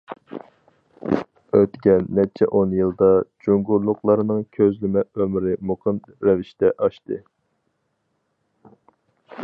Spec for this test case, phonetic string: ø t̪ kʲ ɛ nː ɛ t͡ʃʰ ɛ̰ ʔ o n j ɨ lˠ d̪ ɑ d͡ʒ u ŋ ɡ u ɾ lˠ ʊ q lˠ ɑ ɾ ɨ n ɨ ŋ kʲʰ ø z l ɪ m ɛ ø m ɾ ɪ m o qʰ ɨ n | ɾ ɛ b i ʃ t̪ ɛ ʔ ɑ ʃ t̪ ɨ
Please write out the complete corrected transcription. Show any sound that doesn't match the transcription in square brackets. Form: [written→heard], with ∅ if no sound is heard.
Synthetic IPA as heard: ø t̪ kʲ ɛ nː ɛ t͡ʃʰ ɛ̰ ʔ o n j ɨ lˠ d̪ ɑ d͡ʒ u ŋ ɡ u ɾ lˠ ʊ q lˠ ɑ ɾ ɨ n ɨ ŋ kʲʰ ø z l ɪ m ɛ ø m ɾ ɪ m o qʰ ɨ n | ɾ ɛ [b→v] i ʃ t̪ ɛ ʔ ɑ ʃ t̪ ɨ